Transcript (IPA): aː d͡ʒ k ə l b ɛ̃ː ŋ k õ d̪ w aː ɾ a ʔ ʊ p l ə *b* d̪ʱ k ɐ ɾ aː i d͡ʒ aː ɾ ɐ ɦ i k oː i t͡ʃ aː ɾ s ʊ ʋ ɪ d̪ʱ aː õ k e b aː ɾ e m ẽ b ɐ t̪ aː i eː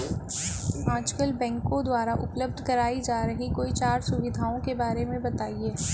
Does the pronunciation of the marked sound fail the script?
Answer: no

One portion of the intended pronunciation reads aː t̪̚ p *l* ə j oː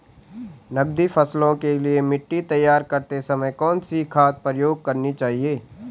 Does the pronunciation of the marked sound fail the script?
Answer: yes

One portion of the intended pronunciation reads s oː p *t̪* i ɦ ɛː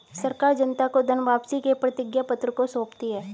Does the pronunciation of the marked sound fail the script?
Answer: no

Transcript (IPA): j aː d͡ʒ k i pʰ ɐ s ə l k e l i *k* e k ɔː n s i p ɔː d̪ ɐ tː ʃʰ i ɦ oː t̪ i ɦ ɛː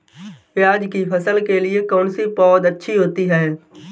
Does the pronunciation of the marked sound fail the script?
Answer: yes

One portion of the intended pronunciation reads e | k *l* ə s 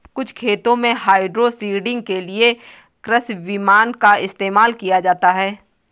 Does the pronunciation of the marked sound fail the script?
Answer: yes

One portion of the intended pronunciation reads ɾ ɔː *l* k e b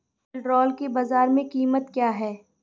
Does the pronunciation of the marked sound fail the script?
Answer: no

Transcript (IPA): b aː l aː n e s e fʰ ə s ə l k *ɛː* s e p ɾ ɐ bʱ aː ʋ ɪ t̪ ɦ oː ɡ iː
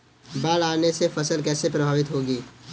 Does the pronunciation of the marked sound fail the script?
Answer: no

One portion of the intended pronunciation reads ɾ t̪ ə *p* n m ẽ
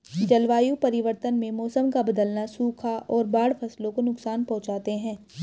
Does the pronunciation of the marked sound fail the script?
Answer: yes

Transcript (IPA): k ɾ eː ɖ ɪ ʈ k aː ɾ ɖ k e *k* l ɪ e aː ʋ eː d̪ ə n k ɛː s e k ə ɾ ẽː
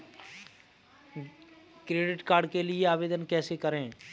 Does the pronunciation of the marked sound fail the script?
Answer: yes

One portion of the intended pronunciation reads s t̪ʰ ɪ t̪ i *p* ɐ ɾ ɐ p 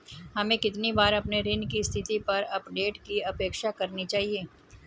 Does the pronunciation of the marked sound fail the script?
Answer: no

